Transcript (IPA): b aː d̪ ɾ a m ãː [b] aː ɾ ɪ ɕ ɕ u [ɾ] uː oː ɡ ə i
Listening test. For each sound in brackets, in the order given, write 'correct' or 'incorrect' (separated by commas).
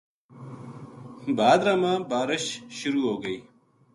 correct, correct